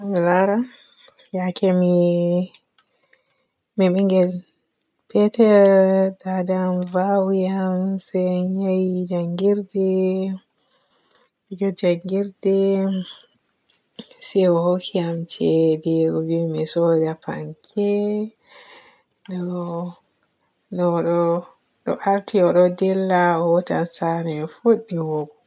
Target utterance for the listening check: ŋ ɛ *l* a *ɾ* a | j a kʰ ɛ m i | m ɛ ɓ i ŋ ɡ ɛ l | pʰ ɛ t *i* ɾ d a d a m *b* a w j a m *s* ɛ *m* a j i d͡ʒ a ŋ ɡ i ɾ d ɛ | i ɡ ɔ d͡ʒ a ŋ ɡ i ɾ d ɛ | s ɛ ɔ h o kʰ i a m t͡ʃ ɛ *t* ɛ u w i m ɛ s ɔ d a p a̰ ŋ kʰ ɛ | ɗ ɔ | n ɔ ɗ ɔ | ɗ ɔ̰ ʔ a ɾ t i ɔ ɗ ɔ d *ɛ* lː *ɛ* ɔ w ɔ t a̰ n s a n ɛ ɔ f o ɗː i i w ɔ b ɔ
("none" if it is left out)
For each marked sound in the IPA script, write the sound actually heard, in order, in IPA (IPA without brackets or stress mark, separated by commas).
l, ɾ, ɛ, v, s, ɲ, d, ɛ, a